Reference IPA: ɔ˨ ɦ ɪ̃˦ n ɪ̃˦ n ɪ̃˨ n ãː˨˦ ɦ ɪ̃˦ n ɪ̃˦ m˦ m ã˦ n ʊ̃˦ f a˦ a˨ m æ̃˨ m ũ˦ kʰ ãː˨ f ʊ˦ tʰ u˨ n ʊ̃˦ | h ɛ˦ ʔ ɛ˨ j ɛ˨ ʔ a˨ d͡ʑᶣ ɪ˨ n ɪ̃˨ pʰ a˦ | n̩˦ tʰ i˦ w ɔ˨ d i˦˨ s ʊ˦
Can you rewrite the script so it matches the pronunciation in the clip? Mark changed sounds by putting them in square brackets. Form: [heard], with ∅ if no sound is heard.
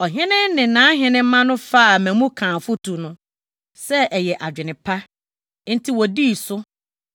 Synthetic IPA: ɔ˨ ɦ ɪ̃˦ n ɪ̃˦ n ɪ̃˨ n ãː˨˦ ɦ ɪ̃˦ n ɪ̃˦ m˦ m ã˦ n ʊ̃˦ f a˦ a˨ m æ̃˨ m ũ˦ kʰ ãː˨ f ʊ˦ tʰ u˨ n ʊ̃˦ | [s] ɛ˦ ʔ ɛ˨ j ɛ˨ ʔ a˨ d͡ʑᶣ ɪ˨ n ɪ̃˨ pʰ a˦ | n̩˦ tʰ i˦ w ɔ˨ d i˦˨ s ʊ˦